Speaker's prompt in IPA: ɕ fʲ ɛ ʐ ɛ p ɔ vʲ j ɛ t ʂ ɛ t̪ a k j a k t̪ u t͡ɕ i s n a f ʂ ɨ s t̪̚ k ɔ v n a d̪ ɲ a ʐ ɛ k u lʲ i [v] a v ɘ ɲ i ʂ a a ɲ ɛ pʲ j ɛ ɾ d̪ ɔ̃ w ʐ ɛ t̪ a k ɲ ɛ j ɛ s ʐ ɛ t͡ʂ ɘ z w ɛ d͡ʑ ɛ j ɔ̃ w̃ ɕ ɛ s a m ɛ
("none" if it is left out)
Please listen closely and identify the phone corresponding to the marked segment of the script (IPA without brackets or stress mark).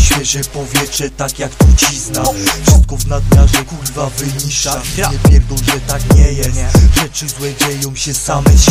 v